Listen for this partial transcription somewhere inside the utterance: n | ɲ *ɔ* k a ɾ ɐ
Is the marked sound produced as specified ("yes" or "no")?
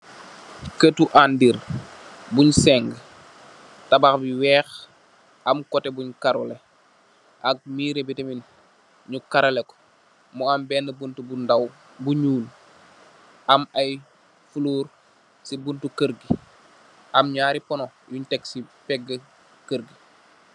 no